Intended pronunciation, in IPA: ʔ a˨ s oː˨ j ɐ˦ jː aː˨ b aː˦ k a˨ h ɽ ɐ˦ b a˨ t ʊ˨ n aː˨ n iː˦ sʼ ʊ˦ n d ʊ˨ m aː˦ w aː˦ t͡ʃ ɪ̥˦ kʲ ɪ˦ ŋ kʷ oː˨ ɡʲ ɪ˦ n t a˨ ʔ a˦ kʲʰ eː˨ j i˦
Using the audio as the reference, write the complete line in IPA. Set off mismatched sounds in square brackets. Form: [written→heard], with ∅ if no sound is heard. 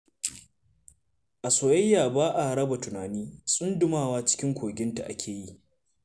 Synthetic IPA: ʔ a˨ s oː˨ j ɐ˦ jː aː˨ b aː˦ [k→ʔ] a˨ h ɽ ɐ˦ b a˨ t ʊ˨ n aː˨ n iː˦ sʼ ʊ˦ n d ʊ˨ m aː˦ w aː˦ t͡ʃ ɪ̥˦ kʲ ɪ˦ ŋ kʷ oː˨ ɡʲ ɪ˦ n t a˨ ʔ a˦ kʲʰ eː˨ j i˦